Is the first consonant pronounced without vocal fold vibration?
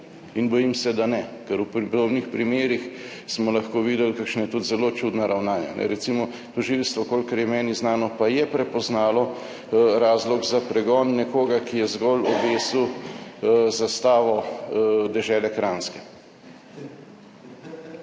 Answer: no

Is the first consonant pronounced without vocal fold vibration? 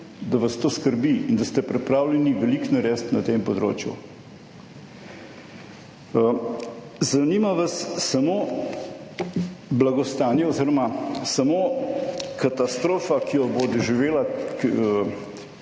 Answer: no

